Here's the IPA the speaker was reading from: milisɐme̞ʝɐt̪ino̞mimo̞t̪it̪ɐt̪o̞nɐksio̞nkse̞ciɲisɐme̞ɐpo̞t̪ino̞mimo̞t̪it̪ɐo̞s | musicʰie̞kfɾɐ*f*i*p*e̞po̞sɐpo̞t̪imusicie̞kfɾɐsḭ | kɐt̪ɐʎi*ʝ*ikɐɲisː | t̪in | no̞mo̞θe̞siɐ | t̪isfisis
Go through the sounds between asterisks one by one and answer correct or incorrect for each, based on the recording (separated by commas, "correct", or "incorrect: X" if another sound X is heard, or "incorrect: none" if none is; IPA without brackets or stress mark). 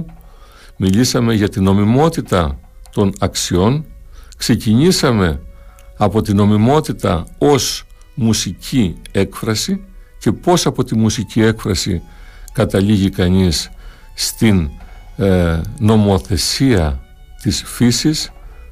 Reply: incorrect: s, incorrect: c, correct